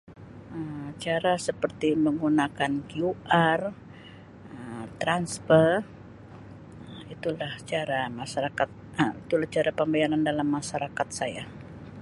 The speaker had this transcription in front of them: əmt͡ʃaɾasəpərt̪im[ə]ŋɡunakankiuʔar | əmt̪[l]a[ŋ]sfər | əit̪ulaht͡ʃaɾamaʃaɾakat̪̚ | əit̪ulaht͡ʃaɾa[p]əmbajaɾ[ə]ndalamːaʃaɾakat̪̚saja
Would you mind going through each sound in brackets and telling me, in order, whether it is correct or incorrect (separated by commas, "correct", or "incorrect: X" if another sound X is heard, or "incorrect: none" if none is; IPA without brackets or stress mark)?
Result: correct, incorrect: ɾ, incorrect: n, correct, incorrect: a